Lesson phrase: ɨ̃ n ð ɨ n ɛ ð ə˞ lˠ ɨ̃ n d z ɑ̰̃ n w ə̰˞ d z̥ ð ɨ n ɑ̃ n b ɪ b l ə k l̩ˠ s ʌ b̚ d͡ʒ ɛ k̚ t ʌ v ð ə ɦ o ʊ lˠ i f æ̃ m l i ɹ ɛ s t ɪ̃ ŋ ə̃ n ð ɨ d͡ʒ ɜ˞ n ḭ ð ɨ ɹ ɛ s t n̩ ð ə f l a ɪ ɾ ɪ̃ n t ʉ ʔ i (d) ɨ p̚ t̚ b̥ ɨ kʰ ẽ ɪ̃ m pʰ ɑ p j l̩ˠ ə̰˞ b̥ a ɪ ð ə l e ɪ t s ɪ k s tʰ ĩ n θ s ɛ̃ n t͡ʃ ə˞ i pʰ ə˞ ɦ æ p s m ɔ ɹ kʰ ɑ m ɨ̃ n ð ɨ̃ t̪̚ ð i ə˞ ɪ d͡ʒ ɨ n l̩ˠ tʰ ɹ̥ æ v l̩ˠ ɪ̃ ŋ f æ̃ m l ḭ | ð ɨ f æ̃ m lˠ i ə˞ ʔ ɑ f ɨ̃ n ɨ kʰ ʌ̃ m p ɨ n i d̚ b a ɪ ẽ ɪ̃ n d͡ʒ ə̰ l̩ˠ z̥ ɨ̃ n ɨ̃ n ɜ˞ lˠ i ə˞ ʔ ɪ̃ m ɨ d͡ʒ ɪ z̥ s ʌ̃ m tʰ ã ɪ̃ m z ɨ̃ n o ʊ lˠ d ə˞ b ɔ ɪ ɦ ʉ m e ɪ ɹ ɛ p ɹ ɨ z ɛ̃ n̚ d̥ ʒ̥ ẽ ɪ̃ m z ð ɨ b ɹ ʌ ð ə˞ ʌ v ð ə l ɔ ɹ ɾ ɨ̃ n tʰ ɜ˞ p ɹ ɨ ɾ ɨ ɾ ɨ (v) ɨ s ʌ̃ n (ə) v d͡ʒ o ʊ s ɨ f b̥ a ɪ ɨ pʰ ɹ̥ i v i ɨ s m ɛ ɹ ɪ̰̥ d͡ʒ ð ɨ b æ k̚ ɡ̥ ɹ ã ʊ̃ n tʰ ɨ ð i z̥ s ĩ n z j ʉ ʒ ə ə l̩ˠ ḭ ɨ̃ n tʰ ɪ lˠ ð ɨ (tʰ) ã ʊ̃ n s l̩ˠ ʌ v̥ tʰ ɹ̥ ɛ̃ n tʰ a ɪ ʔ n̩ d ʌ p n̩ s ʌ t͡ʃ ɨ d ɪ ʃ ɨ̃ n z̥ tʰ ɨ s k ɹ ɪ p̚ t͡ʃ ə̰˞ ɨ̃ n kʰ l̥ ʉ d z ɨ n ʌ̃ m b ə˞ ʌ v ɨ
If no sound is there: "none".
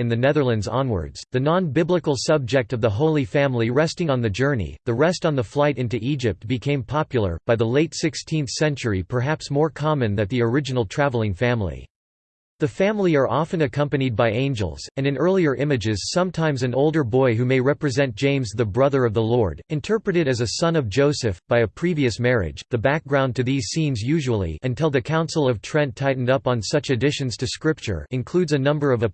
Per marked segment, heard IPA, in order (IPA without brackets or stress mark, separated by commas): d͡ʒ, z, ʌ, kʰ